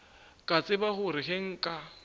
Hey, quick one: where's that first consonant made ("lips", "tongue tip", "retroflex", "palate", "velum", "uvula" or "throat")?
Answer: velum